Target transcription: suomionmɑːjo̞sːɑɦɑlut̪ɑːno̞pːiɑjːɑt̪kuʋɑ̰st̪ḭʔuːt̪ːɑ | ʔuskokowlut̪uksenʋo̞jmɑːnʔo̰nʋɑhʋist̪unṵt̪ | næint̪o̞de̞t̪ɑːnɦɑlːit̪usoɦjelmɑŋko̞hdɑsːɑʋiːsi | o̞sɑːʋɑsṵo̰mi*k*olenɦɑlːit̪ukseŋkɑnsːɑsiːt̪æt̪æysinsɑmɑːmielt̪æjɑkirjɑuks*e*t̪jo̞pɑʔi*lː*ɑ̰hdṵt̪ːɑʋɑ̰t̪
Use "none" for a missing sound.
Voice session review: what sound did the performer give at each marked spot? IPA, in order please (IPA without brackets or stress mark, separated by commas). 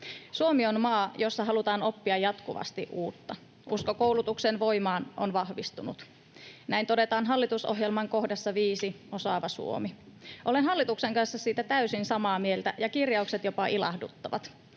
ʔ, e, l